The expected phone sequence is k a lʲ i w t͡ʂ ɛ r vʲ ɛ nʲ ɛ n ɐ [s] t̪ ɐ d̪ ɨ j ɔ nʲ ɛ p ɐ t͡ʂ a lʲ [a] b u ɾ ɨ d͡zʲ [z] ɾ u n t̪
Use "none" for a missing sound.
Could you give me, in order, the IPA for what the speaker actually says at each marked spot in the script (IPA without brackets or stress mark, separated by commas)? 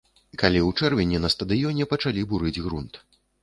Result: s, i, ɣ